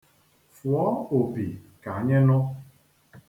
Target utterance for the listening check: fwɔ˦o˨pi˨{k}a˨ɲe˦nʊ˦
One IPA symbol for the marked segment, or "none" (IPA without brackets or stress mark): k